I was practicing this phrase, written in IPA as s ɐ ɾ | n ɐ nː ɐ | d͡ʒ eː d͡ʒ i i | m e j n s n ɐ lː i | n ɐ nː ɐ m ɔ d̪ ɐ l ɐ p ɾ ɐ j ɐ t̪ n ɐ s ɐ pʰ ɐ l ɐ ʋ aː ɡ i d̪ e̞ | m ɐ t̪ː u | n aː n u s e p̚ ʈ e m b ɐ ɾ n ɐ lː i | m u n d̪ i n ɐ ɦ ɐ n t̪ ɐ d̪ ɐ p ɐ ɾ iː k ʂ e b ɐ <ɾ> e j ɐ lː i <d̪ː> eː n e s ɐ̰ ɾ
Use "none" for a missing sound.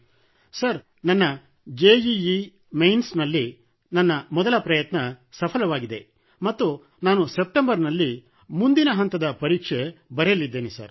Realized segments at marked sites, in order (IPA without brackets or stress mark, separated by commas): ɾ, d̪ː